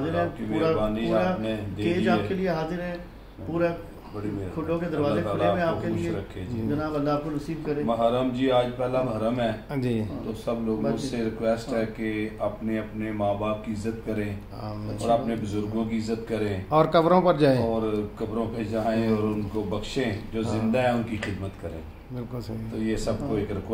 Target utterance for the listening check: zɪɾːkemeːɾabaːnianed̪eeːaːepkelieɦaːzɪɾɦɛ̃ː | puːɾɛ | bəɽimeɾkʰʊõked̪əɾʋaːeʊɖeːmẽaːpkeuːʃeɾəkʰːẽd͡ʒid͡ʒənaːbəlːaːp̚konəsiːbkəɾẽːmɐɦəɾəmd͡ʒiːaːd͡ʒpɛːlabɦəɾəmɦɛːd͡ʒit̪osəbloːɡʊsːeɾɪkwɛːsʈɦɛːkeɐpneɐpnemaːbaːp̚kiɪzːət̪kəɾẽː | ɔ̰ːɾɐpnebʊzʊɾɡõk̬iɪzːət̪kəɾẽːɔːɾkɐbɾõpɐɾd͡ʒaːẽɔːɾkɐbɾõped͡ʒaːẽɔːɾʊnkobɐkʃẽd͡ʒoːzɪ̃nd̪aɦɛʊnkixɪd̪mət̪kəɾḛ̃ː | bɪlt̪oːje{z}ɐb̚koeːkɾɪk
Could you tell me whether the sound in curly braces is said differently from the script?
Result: yes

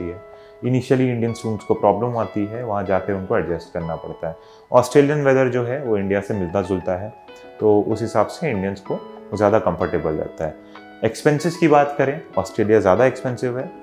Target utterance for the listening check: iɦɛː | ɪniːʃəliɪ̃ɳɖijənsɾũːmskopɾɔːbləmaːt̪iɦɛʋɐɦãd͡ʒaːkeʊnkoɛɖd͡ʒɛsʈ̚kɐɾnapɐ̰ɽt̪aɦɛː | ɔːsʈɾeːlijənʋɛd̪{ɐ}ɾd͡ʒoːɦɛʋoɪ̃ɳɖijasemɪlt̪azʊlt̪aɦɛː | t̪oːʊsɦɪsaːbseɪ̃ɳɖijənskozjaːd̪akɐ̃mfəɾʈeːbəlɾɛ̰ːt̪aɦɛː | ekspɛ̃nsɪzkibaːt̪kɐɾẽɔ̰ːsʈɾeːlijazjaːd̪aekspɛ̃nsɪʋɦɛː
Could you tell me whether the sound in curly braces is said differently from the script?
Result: yes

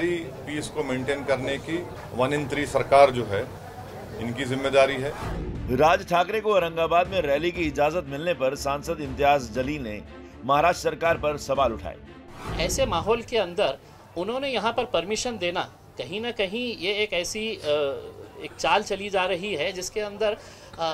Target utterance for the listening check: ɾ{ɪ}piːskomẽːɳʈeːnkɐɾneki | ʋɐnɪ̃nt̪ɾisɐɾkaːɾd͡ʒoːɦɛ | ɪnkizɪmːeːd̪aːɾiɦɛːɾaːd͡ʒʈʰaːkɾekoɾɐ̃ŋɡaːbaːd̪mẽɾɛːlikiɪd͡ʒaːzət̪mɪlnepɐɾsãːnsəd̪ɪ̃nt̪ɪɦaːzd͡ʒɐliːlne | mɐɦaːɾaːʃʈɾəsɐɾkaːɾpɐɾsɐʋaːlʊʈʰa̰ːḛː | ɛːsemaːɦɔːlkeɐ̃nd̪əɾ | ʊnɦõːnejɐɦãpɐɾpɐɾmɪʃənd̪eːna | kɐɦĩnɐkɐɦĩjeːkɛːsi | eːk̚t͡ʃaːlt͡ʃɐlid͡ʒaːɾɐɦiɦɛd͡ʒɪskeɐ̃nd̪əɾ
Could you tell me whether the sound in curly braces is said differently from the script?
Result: yes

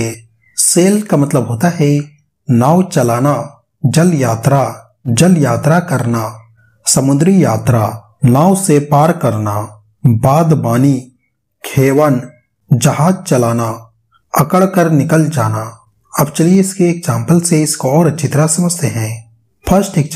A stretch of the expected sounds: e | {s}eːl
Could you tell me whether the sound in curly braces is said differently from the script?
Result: no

